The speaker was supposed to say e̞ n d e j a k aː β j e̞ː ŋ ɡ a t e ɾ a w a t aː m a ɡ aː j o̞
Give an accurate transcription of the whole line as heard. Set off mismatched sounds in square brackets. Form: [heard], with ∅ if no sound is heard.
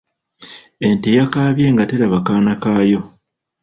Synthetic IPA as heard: e̞ n [t] e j a k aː β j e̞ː ŋ ɡ a t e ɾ a [β] a [k] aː [n] a [k] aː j o̞